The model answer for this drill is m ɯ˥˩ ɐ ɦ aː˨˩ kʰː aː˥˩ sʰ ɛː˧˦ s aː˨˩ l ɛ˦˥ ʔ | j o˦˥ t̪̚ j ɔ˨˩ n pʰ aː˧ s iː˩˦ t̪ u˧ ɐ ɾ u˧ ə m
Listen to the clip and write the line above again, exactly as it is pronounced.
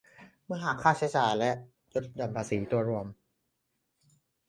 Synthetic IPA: m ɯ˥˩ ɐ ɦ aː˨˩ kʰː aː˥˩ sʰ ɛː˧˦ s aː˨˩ l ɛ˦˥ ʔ | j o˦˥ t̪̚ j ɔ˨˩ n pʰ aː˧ s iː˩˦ t̪ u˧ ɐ ɾ u˧ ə m